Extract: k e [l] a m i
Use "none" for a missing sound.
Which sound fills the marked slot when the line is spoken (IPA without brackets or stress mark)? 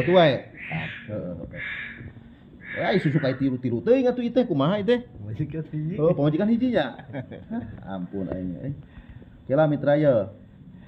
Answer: l